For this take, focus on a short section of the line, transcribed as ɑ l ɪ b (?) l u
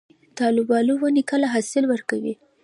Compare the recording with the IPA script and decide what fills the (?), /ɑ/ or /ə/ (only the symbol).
ɑ